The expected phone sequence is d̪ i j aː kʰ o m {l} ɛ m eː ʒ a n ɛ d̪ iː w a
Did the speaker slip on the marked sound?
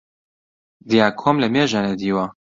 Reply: no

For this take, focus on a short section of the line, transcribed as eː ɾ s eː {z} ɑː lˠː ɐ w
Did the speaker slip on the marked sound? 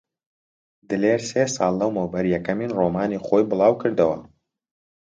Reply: yes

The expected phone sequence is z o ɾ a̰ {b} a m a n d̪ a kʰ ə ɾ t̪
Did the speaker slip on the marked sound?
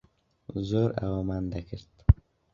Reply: yes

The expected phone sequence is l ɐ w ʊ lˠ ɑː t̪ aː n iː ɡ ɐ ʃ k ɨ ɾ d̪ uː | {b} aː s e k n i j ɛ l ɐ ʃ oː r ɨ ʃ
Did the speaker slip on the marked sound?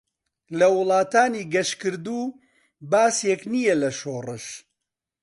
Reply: no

